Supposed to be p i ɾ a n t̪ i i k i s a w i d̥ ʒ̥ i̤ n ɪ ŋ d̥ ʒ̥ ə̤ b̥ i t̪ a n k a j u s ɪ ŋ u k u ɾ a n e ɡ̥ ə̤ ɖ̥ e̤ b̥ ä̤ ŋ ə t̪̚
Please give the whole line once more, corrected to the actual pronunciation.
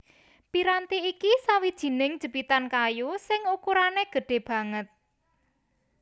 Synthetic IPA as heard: p i ɾ a n t̪ i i k i s a w i d̥ ʒ̥ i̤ n ɪ ŋ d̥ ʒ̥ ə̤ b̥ i t̪ a n k a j u s ɪ ŋ u k u ɾ a n e ɡ̥ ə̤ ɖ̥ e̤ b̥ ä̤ ŋ ə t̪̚